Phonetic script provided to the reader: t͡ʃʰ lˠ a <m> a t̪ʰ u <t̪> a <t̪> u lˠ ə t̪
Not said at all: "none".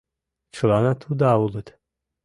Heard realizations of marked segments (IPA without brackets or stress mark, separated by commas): n, d̪, none